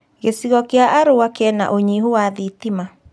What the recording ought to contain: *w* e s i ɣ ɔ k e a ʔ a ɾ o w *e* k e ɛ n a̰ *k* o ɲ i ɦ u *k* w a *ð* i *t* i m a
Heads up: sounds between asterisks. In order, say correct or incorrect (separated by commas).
incorrect, incorrect, incorrect, incorrect, correct, correct